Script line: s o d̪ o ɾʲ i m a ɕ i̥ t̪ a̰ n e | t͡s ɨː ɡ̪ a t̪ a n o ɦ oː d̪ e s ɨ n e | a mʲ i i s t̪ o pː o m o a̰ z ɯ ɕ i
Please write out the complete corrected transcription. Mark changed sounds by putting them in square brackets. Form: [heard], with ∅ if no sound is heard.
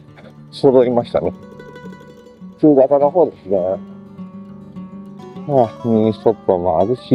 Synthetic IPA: s o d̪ o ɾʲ i m a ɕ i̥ t̪ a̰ n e | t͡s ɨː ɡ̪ a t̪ a n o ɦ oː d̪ e s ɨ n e | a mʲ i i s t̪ o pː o m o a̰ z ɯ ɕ i